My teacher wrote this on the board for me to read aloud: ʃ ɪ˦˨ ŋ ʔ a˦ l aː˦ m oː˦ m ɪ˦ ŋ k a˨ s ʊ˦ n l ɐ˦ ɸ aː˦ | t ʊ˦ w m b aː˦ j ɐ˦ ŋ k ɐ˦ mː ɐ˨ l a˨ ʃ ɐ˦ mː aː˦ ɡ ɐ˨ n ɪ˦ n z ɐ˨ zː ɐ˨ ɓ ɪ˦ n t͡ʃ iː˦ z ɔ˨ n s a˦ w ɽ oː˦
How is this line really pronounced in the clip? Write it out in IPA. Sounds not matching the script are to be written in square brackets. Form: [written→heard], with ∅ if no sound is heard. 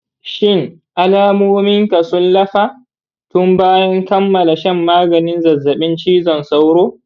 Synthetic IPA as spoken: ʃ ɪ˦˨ ŋ ʔ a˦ l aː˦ m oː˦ m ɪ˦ ŋ k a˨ s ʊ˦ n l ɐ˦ ɸ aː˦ | t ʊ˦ [w→∅] m b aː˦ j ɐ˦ ŋ k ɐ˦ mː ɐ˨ l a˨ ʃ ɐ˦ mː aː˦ ɡ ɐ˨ n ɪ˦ n z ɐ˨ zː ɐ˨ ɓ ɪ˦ n t͡ʃ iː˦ z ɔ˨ n s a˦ w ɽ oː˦